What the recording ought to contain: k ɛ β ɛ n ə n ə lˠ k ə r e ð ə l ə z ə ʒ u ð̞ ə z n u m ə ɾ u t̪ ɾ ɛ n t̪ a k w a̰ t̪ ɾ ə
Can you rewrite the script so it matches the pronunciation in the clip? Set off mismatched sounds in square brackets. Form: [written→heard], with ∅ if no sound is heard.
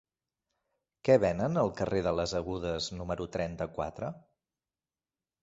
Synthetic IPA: k ɛ β ɛ n ə n ə lˠ k ə r e ð ə l ə z ə [ʒ→ɣ] u ð̞ ə z n u m ə ɾ u t̪ ɾ ɛ n t̪ [a→ə] k w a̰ t̪ ɾ ə

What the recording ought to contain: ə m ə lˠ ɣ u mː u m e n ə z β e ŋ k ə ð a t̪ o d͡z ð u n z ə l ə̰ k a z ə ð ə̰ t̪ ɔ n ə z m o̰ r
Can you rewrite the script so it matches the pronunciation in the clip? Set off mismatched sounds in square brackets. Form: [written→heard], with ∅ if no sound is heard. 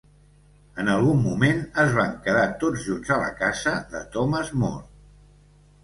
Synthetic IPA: ə [m→n] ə lˠ ɣ u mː u m e n ə z β [e→a] ŋ k ə ð a t̪ o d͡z [ð→ʒ] u n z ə l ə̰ k a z ə ð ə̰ t̪ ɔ [n→m] ə z m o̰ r

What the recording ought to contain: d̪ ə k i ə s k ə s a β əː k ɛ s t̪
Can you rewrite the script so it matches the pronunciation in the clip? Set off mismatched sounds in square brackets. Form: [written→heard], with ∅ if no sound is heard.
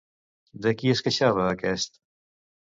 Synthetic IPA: d̪ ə k i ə s k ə [s→ʃ] a β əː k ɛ s t̪

